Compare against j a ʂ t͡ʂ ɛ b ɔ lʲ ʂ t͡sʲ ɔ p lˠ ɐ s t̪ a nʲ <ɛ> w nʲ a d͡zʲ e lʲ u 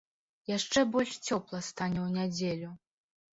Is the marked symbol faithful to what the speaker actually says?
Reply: yes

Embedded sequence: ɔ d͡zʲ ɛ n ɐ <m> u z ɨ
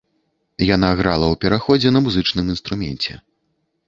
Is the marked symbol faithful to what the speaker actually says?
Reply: yes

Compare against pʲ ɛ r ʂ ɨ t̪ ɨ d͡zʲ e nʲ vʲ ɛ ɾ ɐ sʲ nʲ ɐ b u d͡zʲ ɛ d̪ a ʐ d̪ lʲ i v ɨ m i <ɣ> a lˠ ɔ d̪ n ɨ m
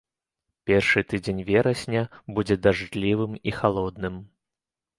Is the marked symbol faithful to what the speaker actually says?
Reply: no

